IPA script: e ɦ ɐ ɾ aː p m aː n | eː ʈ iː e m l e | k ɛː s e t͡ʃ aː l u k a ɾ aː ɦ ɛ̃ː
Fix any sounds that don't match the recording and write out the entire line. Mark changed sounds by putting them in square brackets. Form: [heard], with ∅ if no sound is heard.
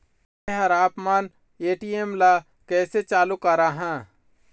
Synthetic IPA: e ɦ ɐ ɾ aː p m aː n | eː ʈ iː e m l [a] | k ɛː s e t͡ʃ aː l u k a ɾ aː ɦ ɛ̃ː